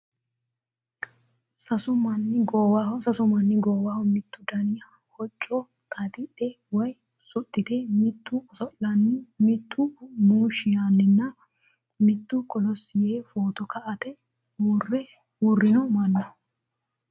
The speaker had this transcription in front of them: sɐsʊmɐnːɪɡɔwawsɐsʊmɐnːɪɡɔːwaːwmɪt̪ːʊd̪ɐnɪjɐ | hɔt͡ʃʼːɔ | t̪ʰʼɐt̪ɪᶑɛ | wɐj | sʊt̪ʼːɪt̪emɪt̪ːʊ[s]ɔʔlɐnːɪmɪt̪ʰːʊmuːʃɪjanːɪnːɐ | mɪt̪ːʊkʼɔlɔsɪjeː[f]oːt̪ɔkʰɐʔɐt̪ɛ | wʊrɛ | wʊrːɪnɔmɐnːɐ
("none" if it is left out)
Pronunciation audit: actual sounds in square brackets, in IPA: s, f

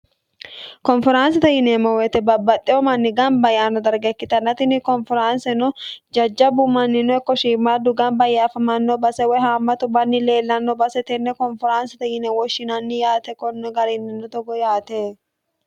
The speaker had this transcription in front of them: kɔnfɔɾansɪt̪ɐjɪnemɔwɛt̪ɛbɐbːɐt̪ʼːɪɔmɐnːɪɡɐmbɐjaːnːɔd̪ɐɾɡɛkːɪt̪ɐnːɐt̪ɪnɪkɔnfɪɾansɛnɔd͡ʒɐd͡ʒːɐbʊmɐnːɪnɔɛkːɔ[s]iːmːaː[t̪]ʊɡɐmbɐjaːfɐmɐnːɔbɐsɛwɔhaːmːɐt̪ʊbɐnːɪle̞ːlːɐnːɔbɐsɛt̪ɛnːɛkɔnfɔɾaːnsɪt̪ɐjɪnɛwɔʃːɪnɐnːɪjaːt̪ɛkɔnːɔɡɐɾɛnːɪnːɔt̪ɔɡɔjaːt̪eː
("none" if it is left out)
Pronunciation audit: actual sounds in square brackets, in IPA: ʃ, d̪

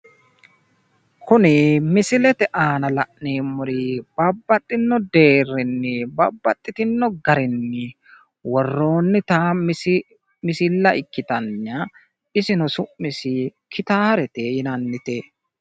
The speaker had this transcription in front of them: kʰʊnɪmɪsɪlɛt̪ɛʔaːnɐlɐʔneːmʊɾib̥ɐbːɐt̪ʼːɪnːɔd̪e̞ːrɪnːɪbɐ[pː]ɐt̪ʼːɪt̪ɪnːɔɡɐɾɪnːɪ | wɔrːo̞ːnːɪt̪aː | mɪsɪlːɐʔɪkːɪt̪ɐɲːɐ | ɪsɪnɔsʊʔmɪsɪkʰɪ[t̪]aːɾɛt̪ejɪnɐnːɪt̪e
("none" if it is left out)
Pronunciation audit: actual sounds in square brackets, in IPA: bː, t̪

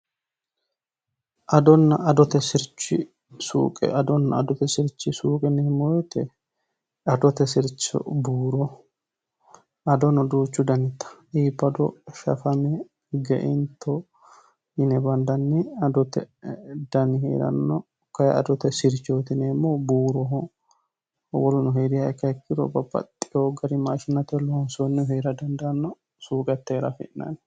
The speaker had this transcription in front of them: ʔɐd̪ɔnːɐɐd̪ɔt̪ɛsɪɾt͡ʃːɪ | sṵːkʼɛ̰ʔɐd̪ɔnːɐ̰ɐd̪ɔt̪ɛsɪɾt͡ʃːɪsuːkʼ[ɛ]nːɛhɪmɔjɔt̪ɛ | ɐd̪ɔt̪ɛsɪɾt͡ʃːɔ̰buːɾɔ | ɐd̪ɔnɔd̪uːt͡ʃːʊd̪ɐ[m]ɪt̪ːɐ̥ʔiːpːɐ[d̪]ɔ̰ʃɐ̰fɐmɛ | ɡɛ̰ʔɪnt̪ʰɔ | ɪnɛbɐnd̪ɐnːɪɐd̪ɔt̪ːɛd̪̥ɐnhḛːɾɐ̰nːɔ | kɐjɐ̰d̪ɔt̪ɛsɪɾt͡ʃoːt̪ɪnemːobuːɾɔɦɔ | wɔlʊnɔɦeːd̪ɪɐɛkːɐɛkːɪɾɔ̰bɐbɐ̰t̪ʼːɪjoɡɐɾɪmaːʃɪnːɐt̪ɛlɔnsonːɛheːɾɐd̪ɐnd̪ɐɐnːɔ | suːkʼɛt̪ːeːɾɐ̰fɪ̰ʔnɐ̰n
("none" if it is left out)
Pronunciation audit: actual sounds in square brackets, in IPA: ɛ, n, d̪

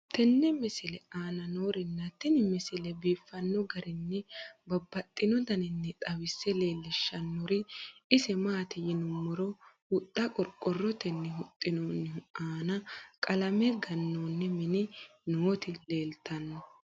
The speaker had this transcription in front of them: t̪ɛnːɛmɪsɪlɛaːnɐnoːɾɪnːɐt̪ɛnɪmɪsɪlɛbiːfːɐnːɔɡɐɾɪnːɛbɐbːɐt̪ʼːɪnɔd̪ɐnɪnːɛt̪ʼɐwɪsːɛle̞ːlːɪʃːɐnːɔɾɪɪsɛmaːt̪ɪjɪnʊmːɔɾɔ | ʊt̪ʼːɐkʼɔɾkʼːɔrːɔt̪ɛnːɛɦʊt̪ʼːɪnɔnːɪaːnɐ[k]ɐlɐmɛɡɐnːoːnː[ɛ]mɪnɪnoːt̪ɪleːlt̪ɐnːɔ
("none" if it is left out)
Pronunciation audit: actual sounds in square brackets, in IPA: kʼ, ɛ

